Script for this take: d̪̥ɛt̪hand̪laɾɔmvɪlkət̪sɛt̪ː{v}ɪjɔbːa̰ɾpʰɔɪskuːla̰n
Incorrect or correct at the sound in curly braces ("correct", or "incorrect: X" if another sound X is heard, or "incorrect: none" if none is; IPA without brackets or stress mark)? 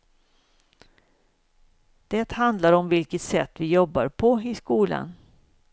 correct